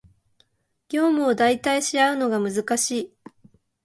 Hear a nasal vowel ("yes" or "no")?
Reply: no